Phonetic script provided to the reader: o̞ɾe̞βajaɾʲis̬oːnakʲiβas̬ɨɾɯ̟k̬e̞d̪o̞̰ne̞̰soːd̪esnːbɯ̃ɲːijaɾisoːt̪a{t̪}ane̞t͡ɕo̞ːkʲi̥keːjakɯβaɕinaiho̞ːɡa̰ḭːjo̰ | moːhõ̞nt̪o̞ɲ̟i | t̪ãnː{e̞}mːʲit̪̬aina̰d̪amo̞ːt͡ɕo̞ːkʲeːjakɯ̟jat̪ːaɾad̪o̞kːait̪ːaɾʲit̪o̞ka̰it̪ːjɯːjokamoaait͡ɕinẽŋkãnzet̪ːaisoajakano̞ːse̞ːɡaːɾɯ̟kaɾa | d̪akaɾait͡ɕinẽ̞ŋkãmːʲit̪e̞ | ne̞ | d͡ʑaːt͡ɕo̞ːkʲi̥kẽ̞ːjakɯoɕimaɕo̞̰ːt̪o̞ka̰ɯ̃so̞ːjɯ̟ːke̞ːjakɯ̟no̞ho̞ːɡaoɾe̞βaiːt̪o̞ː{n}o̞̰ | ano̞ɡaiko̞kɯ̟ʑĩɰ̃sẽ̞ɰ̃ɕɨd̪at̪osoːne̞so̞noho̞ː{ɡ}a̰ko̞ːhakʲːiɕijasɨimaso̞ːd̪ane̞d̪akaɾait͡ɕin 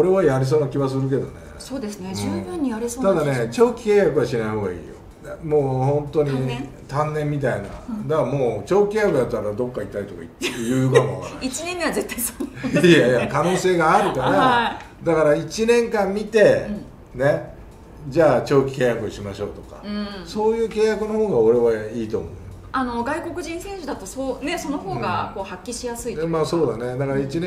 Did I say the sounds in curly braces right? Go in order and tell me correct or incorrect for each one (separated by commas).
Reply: incorrect, incorrect, incorrect, correct